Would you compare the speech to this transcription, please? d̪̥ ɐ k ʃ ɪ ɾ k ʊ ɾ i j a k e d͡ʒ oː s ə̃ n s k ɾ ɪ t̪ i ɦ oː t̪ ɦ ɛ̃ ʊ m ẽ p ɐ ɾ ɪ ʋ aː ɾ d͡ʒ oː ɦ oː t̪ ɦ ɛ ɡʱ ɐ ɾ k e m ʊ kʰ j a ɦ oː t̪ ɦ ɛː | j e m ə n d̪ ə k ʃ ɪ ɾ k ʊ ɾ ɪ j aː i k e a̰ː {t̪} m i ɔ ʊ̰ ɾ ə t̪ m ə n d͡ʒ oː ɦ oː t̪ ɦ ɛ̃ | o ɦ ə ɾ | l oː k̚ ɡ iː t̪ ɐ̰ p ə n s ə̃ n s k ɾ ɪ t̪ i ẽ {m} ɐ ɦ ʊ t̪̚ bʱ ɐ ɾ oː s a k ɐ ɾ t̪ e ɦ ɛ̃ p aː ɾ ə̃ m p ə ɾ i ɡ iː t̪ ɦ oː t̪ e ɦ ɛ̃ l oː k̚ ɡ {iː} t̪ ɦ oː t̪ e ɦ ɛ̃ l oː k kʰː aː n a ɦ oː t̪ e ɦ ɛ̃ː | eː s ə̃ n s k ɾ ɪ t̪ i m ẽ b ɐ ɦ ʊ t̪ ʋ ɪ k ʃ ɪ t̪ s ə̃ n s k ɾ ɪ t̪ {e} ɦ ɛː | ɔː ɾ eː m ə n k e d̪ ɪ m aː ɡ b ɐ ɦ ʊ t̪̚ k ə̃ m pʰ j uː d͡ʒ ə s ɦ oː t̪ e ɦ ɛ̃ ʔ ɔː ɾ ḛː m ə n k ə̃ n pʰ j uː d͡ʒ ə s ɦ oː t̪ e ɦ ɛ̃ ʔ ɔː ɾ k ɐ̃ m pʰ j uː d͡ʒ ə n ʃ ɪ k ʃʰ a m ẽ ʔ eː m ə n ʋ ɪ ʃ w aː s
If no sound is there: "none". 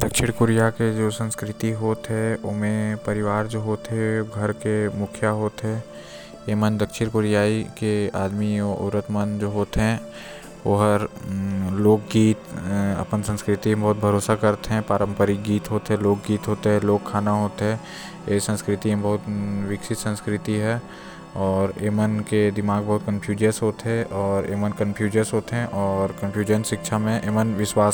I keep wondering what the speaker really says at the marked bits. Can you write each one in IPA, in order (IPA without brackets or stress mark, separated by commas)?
d̪, b, iː, i